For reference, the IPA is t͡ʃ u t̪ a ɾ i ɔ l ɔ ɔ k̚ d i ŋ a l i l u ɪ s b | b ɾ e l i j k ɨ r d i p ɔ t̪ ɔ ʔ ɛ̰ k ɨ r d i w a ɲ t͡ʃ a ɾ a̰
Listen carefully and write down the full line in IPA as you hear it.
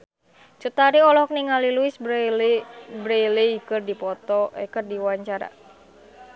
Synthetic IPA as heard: t͡ʃ u t̪ a ɾ i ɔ l ɔ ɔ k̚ n i ŋ a l i l u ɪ s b | b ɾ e l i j k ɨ r d i p ɔ t̪ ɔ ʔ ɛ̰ k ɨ r d i w a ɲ t͡ʃ a ɾ a̰